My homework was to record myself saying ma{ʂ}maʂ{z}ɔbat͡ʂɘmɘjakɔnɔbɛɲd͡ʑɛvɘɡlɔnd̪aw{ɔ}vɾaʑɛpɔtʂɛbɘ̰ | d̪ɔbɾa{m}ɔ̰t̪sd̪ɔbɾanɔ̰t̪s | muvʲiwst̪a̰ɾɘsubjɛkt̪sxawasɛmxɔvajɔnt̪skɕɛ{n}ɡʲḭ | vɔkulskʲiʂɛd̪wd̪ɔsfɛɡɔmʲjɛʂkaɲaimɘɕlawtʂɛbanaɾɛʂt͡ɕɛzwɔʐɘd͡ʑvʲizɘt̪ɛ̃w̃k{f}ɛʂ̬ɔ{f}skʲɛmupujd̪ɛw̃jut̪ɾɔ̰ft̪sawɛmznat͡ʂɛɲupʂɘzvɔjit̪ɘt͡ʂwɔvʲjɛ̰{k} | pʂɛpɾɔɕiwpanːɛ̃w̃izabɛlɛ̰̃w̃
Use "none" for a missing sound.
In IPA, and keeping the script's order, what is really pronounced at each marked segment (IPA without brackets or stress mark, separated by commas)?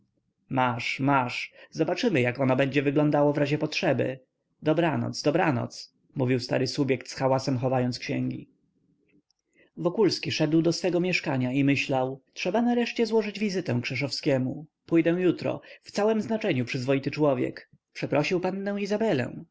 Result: ʂ, z, ɔ, n, ŋ, ʂ, f, k